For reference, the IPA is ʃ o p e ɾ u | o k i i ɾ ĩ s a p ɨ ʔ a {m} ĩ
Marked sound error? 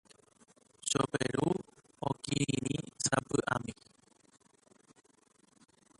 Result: no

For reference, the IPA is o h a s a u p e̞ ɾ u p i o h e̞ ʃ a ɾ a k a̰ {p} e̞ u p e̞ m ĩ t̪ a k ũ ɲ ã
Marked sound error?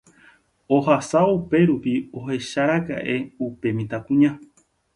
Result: yes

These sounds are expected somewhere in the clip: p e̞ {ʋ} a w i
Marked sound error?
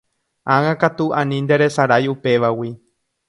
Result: no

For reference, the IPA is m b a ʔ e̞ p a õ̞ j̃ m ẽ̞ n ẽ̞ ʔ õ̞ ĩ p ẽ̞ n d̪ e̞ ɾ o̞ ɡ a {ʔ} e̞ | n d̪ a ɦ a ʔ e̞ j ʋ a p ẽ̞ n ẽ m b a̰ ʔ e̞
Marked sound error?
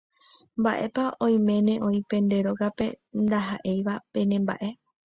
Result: yes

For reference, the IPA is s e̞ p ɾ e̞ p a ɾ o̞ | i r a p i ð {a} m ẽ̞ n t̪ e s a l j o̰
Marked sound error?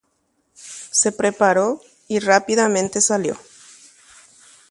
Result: no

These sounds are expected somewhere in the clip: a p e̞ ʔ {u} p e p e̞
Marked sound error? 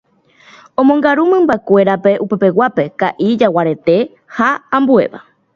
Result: no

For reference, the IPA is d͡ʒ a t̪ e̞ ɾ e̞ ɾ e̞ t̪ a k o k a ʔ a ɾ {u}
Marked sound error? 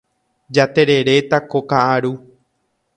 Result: no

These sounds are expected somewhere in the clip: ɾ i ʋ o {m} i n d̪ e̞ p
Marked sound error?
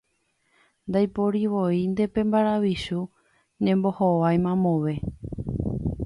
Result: yes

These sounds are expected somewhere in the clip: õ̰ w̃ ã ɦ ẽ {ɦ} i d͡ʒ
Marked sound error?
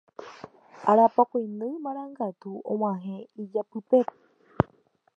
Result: yes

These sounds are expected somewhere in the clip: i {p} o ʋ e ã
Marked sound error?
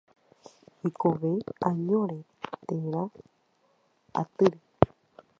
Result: yes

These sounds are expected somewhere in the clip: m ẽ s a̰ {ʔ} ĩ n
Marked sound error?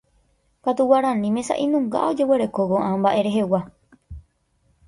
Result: no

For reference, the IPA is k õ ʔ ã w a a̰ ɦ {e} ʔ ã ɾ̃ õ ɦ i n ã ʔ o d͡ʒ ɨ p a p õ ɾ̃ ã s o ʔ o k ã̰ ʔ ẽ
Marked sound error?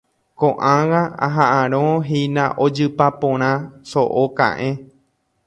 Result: yes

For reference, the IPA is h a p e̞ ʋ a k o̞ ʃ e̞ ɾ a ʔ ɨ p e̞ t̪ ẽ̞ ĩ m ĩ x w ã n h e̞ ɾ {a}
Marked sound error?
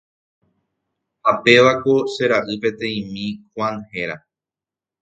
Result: no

